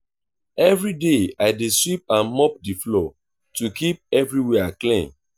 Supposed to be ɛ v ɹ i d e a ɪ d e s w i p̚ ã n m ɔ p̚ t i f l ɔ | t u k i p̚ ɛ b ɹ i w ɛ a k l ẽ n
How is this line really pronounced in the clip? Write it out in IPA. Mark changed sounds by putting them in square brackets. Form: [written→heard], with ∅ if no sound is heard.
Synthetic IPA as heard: ɛ v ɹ i d e a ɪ d e s w i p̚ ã n m ɔ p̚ [t→d] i f l ɔ | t u k i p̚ ɛ [b→v] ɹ i w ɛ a k l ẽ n